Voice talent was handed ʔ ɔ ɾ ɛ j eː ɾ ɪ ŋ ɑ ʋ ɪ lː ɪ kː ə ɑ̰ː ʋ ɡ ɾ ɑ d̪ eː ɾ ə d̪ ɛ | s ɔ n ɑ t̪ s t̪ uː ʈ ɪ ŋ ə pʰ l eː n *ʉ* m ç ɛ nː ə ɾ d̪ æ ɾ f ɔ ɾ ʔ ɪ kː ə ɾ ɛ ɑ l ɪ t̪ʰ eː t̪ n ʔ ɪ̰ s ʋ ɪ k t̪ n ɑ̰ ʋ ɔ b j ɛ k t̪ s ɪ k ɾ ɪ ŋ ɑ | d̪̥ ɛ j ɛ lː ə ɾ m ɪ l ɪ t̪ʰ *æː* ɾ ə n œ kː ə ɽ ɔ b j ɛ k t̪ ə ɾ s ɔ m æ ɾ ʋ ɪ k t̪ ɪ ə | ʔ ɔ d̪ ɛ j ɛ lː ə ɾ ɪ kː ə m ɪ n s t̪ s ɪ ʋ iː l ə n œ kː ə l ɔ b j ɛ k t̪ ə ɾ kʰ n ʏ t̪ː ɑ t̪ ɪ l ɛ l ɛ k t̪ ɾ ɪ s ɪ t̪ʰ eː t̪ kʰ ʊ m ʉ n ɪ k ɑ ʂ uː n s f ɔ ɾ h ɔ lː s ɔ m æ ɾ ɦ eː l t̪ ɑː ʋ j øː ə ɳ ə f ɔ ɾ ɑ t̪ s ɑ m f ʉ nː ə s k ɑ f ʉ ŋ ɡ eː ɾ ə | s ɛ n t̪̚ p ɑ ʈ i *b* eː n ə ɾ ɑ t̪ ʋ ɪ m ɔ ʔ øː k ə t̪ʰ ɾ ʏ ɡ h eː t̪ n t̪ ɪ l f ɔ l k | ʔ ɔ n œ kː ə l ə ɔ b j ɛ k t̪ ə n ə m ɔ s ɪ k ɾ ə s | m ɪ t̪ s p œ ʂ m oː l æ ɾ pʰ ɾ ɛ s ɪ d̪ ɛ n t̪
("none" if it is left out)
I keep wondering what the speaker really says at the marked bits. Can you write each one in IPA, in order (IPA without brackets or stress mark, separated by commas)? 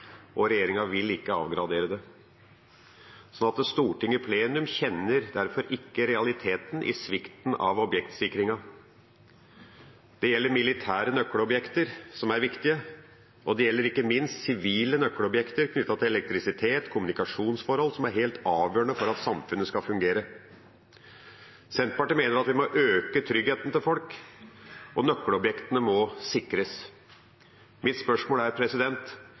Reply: ʉ, æː, m